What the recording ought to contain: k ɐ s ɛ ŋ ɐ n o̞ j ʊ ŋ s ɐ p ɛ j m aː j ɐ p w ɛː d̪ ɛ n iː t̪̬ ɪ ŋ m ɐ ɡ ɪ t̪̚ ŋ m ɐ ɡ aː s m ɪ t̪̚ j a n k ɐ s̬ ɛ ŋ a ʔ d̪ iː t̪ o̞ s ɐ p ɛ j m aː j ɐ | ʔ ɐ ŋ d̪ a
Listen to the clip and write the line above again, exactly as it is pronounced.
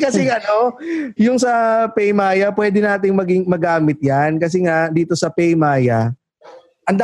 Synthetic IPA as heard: k ɐ s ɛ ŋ ɐ n o̞ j ʊ ŋ s ɐ p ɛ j m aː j ɐ p w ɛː d̪ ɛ n aː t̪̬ ɪ ŋ m ɐ ɡ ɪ ŋ m ɐ ɡ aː m ɪ t̪̚ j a n k ɐ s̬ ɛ ŋ a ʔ d̪ iː t̪ o̞ s ɐ p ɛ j m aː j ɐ | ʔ ɐ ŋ d̪ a